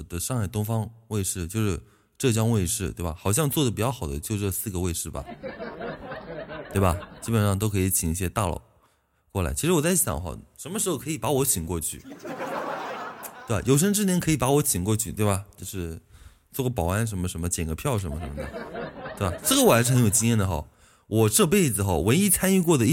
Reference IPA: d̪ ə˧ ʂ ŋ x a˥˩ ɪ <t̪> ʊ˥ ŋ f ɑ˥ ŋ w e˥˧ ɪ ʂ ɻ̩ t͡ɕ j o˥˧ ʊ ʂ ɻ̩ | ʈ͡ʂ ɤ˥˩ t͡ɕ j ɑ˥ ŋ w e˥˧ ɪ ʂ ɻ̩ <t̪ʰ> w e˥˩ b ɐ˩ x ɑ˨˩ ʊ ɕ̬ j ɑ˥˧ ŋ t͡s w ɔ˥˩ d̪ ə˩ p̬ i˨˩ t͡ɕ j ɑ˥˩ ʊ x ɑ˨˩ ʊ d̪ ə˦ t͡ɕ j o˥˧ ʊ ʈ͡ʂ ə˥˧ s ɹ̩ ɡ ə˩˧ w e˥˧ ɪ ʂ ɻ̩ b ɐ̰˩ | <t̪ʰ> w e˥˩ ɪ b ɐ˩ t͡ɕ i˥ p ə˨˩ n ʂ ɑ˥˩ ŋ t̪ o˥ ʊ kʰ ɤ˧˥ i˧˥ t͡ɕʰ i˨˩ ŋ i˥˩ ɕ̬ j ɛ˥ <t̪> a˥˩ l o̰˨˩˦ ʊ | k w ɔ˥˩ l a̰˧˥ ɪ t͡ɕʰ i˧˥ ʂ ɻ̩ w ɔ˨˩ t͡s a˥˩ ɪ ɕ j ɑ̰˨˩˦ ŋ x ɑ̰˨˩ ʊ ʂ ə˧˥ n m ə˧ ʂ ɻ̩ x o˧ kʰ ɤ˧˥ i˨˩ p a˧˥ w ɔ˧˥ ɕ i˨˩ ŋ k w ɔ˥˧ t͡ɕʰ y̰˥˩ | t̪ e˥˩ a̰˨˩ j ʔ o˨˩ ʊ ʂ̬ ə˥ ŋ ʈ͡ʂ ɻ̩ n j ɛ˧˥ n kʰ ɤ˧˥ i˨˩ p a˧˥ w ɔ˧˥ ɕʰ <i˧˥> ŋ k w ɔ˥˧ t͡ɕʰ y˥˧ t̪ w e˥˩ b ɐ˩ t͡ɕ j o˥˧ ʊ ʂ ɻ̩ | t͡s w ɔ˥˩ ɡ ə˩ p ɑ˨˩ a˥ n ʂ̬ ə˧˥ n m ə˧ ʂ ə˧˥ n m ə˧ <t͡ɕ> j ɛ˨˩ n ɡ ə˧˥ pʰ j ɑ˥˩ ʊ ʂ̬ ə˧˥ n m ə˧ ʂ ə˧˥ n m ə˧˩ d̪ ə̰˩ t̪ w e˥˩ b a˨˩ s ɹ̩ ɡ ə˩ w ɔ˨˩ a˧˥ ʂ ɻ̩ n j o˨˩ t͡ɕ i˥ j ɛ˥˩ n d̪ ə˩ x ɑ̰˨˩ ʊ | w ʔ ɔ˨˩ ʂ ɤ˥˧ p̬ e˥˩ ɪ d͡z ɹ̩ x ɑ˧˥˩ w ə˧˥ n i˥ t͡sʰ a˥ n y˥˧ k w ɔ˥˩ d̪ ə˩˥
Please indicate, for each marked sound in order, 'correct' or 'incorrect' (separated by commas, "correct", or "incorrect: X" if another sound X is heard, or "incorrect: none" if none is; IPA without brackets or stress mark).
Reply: correct, incorrect: t̪, incorrect: t̪, correct, incorrect: i˨˩, correct